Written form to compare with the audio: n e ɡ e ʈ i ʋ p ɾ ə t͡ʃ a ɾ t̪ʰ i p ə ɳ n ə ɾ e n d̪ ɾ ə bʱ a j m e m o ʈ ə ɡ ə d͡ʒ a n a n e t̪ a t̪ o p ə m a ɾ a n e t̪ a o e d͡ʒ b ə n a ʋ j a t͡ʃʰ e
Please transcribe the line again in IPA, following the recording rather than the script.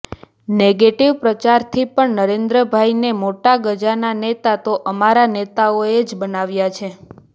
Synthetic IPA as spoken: n e ɡ e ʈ i ʋ p ɾ ə t͡ʃ a ɾ t̪ʰ i p ə ɳ n ə ɾ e n d̪ ɾ ə bʱ a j n e m o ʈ a ɡ ə d͡ʒ a n a n e t̪ a t̪ o ʔ ə m a ɾ a n e t̪ a o e d͡ʒ b ə n a ʋ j a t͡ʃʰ e